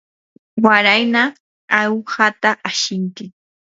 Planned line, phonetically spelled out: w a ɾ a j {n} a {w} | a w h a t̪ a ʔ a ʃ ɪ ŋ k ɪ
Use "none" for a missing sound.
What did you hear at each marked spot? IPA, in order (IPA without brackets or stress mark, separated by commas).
n, none